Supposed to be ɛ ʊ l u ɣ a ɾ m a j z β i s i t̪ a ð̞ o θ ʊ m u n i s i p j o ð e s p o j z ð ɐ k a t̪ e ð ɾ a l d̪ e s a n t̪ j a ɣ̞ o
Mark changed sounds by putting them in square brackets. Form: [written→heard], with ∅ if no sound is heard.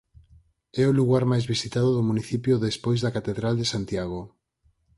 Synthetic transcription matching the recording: ɛ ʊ l u ɣ a ɾ m a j z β i s i t̪ a ð̞ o [θ→ð] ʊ m u n i [s→θ] i p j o ð e s p o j z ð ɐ k a t̪ e ð ɾ a l d̪ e s a n t̪ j a ɣ̞ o

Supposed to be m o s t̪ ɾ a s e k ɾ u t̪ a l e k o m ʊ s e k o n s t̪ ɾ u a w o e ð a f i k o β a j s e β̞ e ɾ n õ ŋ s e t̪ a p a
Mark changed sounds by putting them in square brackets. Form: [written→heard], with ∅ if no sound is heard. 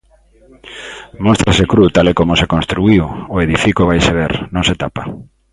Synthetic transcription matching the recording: m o s t̪ ɾ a s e k ɾ u t̪ a l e k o m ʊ s e k o n s t̪ ɾ u [a→i] w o e ð [a→i] f i k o β a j s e β̞ e ɾ n õ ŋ s e t̪ a p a

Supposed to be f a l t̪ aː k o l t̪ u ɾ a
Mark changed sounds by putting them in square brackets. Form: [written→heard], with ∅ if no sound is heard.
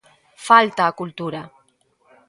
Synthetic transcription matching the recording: f a l t̪ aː k [o→u] l t̪ u ɾ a

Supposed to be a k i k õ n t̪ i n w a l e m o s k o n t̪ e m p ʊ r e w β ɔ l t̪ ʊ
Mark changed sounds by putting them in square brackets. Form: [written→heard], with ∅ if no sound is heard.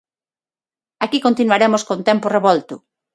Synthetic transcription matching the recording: a k i k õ n t̪ i n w a [l→ɾ] e m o s k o n t̪ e m p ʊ r e [w→∅] β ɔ l t̪ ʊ

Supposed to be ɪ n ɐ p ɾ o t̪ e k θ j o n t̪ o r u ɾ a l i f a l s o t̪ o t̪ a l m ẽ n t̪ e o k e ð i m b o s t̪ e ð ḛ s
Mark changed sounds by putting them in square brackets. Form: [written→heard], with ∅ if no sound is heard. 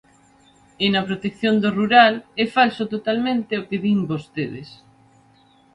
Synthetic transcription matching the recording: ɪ n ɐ p ɾ o t̪ e k θ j o n [t̪→d̪] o r u ɾ a l [i→ɛ] f a l s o t̪ o t̪ a l m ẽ n t̪ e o k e ð i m b o s t̪ e ð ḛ s

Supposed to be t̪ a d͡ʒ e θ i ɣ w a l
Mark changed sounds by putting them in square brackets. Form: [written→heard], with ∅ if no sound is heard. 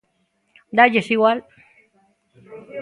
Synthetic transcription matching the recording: [t̪→d̪] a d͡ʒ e [θ→s] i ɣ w a l

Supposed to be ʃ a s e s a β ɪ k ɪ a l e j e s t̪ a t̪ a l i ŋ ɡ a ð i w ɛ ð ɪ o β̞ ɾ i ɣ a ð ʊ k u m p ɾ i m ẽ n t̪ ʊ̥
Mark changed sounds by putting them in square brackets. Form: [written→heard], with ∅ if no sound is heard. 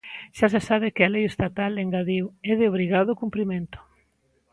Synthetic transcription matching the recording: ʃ a s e s a β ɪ k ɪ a l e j e s t̪ a t̪ a l [i→e] ŋ ɡ a ð i w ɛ ð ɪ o β̞ ɾ i ɣ a ð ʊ k u m p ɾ i m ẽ n t̪ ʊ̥

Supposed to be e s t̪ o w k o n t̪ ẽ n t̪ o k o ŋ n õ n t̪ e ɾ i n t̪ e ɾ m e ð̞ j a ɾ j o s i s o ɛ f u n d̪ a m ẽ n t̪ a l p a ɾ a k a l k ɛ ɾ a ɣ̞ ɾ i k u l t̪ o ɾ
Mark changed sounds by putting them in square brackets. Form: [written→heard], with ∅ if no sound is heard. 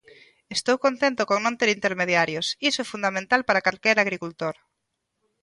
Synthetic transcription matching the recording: e s t̪ o w k o n t̪ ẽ n t̪ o k o ŋ n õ n t̪ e ɾ i n t̪ e ɾ m e ð̞ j a ɾ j o s i s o ɛ f u n d̪ a m ẽ n t̪ a l p a ɾ a k a l k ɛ ɾ a ɣ̞ ɾ i k u l t̪ o ɾ

